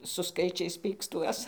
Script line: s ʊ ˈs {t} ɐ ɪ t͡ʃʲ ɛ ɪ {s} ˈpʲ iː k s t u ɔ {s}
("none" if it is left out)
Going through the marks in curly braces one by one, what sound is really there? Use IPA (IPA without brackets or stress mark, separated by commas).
k, s, s